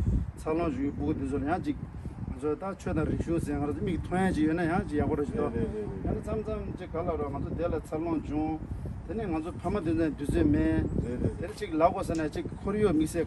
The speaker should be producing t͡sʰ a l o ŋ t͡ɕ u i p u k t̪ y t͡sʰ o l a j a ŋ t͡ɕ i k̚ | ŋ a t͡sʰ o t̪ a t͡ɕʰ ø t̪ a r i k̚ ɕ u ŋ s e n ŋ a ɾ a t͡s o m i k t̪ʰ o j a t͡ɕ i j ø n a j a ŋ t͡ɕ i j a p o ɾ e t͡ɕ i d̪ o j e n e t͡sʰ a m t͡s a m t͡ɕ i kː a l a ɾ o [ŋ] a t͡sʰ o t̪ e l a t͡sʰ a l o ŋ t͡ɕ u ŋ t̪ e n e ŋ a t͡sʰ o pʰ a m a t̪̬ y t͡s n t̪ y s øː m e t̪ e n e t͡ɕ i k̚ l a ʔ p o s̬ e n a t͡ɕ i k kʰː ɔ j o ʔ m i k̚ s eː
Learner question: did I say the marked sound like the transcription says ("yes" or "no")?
yes